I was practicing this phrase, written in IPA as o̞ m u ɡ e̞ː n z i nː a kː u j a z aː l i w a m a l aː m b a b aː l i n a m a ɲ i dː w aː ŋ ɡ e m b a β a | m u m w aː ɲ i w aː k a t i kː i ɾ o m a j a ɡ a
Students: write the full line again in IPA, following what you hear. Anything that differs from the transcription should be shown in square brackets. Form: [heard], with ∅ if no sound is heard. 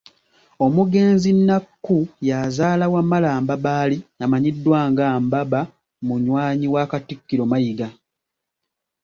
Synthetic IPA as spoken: o̞ m u ɡ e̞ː n z i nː a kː u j a z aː l [a] w a m a l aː m b a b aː l i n a m a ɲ i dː w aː ŋ ɡ [a] m b a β a | m u [ɲ] w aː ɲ i w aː k a t i kː i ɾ o m a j [i] ɡ a